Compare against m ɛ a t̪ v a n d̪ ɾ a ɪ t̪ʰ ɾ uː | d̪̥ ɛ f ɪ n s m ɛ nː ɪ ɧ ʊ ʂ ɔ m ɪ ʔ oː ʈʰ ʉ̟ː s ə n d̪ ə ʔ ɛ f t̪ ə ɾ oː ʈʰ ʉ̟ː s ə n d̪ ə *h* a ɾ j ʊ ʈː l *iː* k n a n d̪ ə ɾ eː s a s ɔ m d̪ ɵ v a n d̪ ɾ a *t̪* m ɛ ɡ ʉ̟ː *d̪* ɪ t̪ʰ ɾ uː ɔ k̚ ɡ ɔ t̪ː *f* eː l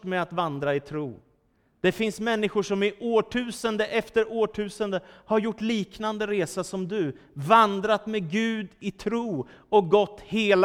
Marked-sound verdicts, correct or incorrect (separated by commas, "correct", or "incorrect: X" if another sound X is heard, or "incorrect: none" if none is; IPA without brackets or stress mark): correct, correct, correct, correct, incorrect: h